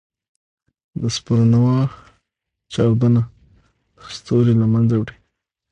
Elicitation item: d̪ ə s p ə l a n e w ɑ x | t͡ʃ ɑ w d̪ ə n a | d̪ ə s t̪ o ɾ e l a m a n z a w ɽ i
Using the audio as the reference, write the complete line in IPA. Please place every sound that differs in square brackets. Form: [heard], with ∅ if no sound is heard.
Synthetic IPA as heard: d̪ ə s p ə [ɾ] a n [a] w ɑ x | t͡ʃ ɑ w d̪ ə n a | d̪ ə s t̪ o ɾ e l a m a n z a w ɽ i